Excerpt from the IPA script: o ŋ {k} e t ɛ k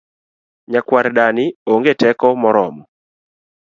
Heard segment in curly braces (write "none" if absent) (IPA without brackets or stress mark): ɡ